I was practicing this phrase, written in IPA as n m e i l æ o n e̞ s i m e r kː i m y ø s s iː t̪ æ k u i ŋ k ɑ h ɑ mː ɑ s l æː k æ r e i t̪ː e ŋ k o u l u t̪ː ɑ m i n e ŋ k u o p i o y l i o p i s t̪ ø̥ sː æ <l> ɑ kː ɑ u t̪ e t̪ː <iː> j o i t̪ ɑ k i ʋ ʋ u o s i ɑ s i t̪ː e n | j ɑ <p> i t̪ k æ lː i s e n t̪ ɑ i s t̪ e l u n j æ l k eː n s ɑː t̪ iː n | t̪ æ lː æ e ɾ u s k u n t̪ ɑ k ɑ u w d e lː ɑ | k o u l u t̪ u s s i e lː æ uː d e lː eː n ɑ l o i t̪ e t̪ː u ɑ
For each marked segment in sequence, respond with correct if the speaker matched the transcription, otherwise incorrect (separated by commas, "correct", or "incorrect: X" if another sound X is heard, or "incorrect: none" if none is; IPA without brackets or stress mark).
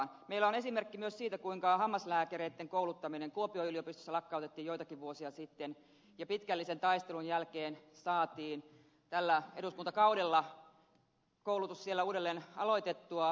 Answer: correct, correct, correct